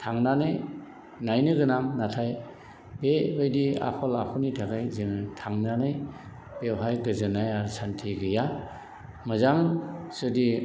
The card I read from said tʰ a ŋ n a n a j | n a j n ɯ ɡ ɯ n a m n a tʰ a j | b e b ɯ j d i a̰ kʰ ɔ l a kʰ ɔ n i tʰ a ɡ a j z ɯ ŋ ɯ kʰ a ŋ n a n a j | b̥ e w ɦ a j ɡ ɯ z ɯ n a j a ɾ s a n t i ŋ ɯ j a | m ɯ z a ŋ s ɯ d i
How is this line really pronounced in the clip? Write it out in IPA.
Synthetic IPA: tʰ a ŋ n a n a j | n a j n ɯ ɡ ɯ n a m n a tʰ a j | b e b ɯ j d i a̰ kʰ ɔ l a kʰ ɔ n i tʰ a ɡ a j z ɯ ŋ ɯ tʰ a ŋ n a n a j | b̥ e w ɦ a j ɡ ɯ z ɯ n a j a ɾ s a n tʰ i ɡ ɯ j a | m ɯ z a ŋ s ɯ d i